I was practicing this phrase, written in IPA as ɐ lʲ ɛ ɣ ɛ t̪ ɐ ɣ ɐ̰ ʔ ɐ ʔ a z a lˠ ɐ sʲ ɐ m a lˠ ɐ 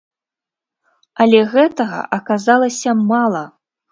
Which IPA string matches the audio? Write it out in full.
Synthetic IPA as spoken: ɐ lʲ ɛ ɣ ɛ t̪ ɐ ɣ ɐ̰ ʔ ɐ k a z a lˠ ɐ sʲ ɐ m a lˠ ɐ